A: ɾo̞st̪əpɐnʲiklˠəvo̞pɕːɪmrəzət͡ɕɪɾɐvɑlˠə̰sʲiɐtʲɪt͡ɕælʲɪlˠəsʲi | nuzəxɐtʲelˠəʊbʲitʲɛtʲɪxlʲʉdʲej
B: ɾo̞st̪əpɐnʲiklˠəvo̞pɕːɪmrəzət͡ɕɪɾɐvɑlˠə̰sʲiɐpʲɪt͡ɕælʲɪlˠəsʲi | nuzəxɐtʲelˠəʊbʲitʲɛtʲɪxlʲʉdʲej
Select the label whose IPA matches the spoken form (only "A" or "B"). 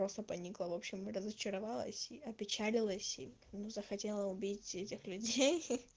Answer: B